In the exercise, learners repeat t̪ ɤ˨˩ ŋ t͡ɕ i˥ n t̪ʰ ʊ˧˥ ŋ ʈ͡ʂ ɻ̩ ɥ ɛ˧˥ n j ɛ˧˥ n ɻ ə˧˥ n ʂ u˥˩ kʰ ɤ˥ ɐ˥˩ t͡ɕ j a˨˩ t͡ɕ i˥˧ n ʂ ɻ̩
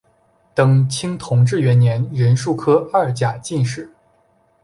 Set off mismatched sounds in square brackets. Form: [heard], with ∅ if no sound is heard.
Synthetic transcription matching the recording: t̪ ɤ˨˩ ŋ [t͡ɕʰ] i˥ [ŋ] t̪ʰ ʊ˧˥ ŋ ʈ͡ʂ ɻ̩ ɥ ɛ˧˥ n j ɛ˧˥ n ɻ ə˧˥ n ʂ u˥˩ kʰ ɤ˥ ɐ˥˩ t͡ɕ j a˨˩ t͡ɕ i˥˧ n ʂ ɻ̩